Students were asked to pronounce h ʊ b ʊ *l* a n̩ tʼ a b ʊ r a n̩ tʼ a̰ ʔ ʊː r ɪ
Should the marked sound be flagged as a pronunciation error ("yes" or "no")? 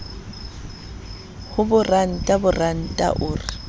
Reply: yes